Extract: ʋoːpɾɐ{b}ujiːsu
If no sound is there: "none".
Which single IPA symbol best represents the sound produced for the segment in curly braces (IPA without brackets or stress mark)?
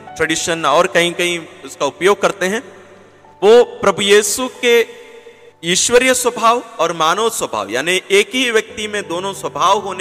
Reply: b